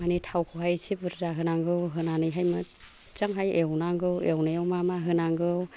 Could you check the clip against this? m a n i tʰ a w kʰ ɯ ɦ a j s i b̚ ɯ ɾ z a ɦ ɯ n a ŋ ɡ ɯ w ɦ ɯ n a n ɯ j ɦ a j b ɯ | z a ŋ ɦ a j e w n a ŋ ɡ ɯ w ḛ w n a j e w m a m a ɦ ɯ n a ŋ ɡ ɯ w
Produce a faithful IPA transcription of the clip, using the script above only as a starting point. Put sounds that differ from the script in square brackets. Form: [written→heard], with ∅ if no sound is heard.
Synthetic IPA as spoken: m a n i tʰ a w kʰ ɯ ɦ a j s i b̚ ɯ ɾ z a ɦ ɯ n a ŋ ɡ ɯ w ɦ ɯ n a n ɯ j ɦ a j [b→m] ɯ | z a ŋ ɦ a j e w n a ŋ ɡ ɯ w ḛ w n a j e w m a m a ɦ ɯ n a ŋ ɡ ɯ w